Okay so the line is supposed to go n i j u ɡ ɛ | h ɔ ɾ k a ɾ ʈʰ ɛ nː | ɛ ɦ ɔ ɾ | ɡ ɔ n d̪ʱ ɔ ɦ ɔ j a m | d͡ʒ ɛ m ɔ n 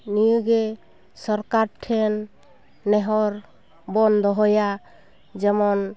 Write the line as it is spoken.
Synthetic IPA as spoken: n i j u ɡ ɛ | s ɔ ɾ k a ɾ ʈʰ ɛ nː | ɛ ɦ ɔ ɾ | b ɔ n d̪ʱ ɔ ɦ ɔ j a | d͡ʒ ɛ m ɔ n